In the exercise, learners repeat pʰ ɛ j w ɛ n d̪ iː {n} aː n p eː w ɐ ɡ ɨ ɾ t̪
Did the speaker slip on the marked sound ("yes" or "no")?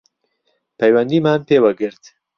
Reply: yes